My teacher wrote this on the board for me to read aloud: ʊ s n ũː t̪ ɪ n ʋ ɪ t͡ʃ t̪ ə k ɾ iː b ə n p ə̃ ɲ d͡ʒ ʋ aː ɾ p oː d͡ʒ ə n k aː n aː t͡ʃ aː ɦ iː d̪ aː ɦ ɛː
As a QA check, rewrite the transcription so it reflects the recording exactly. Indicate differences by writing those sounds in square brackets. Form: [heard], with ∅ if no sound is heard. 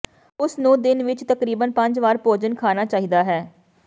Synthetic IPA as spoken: ʊ s n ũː [d̪] ɪ n ʋ ɪ t͡ʃ t̪ ə k ɾ iː b ə n p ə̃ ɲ d͡ʒ ʋ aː ɾ p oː d͡ʒ ə n [kʰ] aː n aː t͡ʃ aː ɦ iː d̪ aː ɦ ɛː

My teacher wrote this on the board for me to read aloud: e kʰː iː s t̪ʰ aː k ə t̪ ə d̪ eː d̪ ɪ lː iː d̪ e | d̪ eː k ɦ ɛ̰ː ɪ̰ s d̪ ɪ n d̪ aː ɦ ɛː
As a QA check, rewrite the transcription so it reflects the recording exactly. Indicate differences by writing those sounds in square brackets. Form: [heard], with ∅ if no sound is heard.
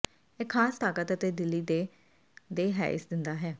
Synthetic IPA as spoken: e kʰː [aː] s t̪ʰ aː k ə t̪ ə [t̪] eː d̪ ɪ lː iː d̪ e | d̪ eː [∅] ɦ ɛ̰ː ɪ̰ s d̪ ɪ n d̪ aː ɦ ɛː

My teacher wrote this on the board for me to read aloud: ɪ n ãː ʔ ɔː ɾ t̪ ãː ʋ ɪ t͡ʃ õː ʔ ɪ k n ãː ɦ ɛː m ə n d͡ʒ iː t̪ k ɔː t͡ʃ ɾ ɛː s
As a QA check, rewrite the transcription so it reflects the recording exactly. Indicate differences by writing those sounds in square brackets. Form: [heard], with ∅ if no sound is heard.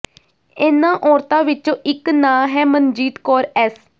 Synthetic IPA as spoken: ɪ n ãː ʔ ɔː ɾ t̪ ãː ʋ ɪ t͡ʃ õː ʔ ɪ k n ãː ɦ ɛː m ə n d͡ʒ iː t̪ k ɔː [∅] ɾ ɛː s

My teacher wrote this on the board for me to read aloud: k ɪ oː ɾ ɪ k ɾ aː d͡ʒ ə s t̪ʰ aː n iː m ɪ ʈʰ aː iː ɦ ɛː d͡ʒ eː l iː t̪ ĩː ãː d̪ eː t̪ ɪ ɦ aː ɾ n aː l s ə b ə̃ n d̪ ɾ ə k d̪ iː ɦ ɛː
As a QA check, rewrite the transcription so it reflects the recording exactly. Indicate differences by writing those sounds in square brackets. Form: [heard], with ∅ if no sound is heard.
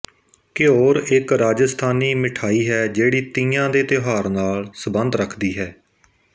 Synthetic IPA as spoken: k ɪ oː ɾ ɪ k ɾ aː d͡ʒ ə s t̪ʰ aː n iː m ɪ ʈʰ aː iː ɦ ɛː d͡ʒ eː [ɽ] iː t̪ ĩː ãː d̪ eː t̪ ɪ ɦ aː ɾ n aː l s ə b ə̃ n d̪ ɾ ə [kʰ] d̪ iː ɦ ɛː

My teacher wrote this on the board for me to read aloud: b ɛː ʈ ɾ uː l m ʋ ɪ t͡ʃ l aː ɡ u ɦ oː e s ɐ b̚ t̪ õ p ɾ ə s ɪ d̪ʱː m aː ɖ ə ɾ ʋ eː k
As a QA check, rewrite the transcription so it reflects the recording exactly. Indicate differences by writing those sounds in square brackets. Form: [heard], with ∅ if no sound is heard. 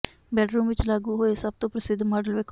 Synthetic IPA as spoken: b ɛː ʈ ɾ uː [∅] m ʋ ɪ t͡ʃ l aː ɡ u ɦ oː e s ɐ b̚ t̪ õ p ɾ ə s ɪ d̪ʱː m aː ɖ ə [l] ʋ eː k

